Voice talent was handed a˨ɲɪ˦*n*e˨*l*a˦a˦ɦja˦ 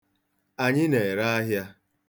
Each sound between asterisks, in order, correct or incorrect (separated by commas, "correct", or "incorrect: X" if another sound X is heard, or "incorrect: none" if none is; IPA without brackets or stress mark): correct, incorrect: ɾ